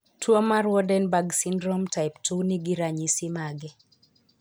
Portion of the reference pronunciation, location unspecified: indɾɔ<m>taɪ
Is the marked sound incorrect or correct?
correct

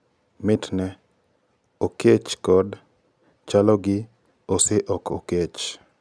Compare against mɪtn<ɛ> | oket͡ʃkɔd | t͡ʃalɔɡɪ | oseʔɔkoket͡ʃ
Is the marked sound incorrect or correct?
correct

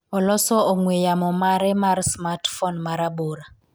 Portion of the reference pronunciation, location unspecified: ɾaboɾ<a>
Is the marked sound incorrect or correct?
correct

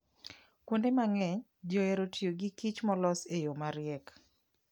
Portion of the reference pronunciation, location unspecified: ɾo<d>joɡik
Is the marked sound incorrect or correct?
incorrect: t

